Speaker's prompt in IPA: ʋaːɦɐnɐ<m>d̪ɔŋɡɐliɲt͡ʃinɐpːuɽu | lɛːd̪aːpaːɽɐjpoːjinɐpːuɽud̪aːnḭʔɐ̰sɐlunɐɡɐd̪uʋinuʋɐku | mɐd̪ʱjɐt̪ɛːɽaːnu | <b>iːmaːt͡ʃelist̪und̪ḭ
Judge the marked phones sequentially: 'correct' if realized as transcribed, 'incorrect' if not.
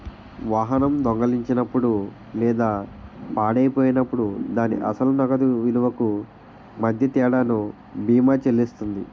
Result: correct, correct

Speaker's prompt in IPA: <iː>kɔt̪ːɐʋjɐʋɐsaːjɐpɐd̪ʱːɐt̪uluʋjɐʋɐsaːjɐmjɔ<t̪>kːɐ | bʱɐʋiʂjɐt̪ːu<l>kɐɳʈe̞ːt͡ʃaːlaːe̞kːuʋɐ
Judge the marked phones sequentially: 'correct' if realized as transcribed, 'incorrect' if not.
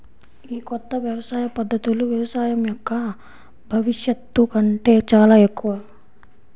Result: correct, incorrect, incorrect

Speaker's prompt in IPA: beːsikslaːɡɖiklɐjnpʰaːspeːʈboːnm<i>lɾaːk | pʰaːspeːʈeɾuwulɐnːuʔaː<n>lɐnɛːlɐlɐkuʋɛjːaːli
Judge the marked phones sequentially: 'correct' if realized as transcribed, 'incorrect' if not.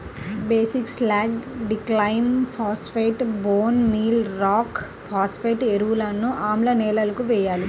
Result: incorrect, incorrect

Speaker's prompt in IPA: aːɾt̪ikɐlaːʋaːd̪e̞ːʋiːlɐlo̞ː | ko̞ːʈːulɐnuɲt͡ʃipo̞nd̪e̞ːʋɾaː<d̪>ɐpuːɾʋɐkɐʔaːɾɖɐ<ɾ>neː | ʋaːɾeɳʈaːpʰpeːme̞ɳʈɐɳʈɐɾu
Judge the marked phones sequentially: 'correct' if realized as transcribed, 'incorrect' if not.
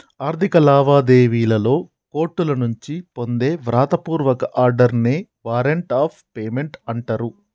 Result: incorrect, correct

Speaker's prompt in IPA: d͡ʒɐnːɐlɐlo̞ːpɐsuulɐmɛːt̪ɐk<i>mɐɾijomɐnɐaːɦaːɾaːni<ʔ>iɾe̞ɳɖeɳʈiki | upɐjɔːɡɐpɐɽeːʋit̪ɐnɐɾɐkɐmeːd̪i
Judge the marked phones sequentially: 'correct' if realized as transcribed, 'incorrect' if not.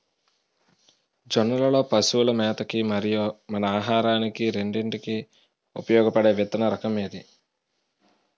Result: correct, incorrect

